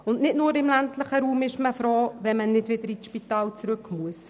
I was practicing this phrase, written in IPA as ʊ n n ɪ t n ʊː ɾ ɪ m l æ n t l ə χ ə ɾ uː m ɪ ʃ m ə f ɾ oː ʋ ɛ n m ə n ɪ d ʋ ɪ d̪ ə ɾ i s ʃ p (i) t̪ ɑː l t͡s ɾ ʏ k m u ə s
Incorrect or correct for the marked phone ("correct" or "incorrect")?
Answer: correct